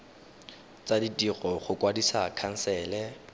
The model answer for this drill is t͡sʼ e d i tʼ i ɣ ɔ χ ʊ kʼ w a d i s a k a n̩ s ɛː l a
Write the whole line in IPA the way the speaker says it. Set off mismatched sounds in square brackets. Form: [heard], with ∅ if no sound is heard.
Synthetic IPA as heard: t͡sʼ [a] d i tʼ i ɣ ɔ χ ʊ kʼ w a d i s a [kʰ] a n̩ s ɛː l [ɛ]